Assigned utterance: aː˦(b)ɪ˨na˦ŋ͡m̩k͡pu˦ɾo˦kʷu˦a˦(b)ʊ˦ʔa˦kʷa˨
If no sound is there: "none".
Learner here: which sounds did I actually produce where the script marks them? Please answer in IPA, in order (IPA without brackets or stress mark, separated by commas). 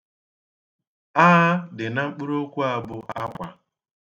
d, b